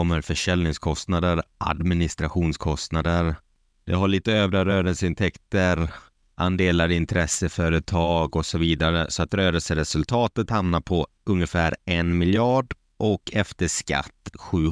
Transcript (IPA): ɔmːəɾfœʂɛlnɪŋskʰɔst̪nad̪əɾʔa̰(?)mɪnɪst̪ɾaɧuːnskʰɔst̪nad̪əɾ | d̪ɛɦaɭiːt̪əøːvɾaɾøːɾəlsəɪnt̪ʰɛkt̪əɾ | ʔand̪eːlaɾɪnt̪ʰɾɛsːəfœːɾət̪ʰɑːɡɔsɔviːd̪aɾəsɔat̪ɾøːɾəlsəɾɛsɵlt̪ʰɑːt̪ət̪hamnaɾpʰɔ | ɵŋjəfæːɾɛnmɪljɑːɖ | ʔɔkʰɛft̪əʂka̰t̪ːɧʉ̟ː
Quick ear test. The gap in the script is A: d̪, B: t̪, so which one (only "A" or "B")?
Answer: A